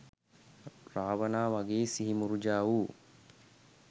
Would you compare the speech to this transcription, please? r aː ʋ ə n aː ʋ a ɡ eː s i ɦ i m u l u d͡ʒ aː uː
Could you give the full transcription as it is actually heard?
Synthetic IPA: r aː ʋ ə n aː ʋ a ɡ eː s i ɦ i m u ɾ u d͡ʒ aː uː